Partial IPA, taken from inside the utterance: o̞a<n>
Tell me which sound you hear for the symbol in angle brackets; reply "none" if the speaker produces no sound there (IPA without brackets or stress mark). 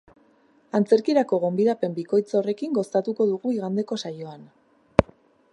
n